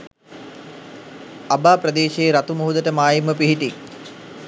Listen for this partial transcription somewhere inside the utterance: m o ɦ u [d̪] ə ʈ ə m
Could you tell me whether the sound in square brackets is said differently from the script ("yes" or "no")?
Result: no